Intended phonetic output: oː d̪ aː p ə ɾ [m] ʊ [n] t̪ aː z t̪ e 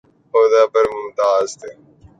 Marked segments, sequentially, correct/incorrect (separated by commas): correct, incorrect